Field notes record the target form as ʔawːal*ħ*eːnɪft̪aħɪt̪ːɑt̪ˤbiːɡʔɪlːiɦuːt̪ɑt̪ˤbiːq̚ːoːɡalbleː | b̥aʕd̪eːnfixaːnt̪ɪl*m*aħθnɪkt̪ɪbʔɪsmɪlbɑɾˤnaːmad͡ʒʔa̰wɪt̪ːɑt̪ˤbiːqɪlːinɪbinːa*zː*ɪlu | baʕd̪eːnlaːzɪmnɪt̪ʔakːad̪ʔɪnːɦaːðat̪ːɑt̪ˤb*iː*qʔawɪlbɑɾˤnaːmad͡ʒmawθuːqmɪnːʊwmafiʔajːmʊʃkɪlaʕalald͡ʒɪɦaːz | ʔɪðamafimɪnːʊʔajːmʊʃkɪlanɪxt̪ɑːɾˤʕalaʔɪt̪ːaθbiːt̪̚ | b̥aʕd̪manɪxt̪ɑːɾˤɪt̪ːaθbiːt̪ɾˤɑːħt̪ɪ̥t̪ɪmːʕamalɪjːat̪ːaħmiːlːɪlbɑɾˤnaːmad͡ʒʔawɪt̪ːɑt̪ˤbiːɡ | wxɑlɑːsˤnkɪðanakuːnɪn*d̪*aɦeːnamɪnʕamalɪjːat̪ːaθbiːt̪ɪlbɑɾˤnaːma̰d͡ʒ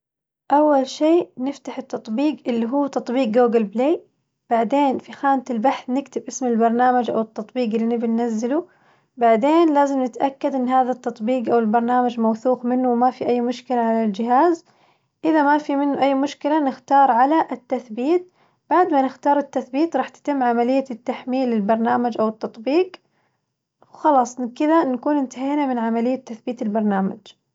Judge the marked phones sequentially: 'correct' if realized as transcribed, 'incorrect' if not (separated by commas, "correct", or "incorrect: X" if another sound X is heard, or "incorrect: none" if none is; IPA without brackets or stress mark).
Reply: incorrect: ʃ, incorrect: b, correct, correct, incorrect: t̪